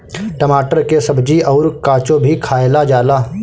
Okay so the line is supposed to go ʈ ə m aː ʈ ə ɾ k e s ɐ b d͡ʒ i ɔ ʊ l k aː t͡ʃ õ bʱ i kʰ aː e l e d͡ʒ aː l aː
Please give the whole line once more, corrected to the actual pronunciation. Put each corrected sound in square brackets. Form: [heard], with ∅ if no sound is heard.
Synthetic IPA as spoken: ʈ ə m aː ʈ ə ɾ k e s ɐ b d͡ʒ i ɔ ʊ [ɾ] k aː t͡ʃ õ bʱ i kʰ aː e l [a] d͡ʒ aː l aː